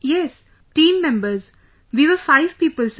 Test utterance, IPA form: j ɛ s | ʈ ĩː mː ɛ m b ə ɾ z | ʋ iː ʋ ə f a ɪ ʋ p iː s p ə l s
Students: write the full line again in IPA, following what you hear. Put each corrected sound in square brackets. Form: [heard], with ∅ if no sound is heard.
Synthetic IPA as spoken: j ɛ s | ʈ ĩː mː [ɛ̃] m b ə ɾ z | ʋ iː ʋ ə f a ɪ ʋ p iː [∅] p ə l s